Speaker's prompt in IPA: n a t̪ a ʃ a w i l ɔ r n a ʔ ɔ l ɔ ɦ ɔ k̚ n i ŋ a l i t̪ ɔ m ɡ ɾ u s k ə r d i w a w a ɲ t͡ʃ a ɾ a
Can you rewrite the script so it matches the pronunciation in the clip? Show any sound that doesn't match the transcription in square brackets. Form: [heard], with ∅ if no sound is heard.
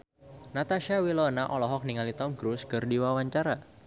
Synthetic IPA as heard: n a t̪ a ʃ a w i l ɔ [∅] n a ʔ ɔ l ɔ ɦ ɔ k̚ n i ŋ a l i t̪ ɔ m ɡ ɾ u s k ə r d i w a w a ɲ t͡ʃ a ɾ a